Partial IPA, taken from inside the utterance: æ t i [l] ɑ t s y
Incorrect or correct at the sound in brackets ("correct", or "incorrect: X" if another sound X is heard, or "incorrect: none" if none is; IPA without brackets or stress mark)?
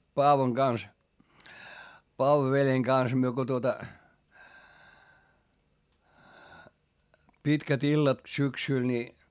incorrect: lː